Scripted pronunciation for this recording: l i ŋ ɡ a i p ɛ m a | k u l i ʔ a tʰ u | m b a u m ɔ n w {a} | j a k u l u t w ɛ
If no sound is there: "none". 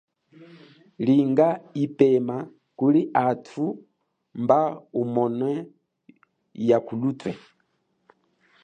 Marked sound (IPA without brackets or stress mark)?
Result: ɛ